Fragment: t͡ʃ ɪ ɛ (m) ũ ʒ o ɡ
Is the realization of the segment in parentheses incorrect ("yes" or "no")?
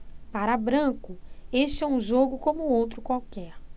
yes